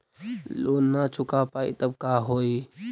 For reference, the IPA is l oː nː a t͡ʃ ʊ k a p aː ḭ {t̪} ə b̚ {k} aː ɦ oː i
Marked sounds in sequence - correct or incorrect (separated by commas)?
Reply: correct, correct